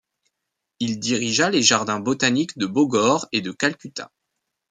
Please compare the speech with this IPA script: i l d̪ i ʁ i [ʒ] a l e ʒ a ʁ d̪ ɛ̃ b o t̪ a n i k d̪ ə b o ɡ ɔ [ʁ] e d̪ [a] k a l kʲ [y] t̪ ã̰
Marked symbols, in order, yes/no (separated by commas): yes, yes, no, yes